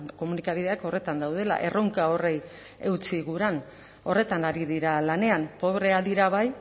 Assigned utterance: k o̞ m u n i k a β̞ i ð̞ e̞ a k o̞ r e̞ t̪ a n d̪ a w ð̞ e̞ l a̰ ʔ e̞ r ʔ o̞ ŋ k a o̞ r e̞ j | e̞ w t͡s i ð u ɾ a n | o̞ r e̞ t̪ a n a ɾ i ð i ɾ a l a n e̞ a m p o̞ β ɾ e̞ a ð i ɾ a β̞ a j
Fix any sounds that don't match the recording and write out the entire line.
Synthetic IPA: k o̞ m u n i k a β̞ i ð̞ e̞ a k o̞ r e̞ t̪ a n d̪ a w ð̞ e̞ l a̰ ʔ e̞ r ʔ o̞ ŋ k a o̞ r e̞ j | e̞ w t͡s i ɣ u ɾ a n | o̞ r e̞ t̪ a n a ɾ i ð i ɾ a l a n e̞ a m p o̞ β ɾ e̞ a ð i ɾ a β̞ a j

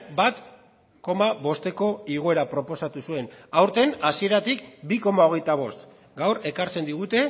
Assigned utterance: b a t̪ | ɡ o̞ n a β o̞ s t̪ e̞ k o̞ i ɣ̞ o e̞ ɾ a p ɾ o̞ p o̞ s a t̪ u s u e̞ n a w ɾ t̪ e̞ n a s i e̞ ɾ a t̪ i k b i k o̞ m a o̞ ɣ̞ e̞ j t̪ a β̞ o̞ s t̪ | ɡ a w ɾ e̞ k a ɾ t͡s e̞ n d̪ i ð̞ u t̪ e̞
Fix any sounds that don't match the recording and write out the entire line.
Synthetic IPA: b a t̪ | k o̞ m a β o̞ s t̪ e̞ k o̞ i ɣ̞ o e̞ ɾ a p ɾ o̞ p o̞ s a t̪ u s u e̞ n a w ɾ t̪ e̞ n a s i e̞ ɾ a t̪ i k b i k o̞ m a o̞ ɣ̞ e̞ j t̪ a β̞ o̞ s t̪ | ɡ a w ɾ e̞ k a ɾ t͡s e̞ n d̪ i ɣ̞ u t̪ e̞

